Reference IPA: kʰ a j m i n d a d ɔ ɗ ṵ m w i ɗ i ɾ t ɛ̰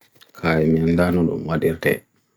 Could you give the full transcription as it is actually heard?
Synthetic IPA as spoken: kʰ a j m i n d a n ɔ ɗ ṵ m w a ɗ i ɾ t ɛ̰